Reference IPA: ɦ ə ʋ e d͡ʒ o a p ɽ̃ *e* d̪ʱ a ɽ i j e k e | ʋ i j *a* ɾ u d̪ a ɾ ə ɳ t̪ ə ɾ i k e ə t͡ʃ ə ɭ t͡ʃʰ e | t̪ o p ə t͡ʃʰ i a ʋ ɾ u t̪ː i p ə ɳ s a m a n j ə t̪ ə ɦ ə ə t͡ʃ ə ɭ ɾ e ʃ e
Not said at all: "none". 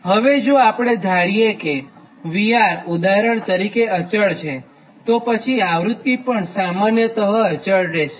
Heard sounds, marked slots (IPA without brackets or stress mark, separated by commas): e, a